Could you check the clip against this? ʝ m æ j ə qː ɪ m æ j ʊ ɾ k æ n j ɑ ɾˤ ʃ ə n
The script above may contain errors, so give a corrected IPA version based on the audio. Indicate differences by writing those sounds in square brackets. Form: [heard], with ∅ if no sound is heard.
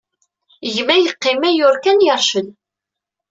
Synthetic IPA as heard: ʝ m æ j ə qː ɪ m æ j ʊ ɾ k æ n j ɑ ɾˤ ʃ ə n